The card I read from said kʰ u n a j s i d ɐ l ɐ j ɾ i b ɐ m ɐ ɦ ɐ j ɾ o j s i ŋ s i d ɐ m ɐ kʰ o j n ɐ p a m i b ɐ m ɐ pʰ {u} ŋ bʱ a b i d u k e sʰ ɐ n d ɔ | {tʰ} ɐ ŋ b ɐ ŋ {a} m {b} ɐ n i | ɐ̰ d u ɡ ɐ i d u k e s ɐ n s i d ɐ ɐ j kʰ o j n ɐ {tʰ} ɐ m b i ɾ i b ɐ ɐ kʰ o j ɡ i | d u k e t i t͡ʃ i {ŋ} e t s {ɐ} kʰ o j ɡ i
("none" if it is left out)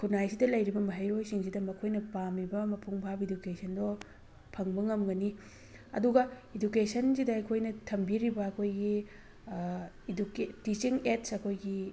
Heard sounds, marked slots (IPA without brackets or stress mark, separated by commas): u, pʰ, ɐ, ɡ, tʰ, ŋ, ɐ